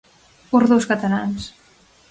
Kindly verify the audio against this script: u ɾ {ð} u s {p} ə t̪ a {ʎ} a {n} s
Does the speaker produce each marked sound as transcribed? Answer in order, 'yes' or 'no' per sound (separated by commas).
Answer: yes, no, no, yes